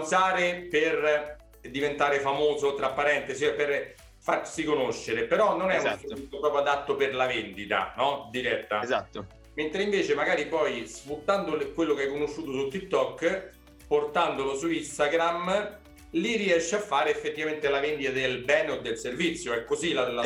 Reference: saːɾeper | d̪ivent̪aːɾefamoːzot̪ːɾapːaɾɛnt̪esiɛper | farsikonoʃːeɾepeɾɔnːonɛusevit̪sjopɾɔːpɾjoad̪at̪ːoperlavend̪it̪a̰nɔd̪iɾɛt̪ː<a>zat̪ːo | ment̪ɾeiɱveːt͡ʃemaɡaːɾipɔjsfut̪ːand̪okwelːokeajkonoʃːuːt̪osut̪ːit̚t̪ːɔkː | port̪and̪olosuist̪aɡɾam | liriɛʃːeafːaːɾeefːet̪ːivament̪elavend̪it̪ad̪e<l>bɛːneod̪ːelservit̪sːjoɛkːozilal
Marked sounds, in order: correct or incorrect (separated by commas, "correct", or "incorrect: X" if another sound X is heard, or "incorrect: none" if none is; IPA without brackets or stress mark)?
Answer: correct, correct